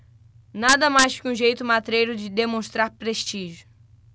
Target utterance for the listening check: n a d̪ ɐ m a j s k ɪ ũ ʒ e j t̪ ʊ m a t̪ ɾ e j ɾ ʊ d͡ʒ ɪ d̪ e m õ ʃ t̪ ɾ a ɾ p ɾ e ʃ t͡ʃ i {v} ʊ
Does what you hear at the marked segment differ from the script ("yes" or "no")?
yes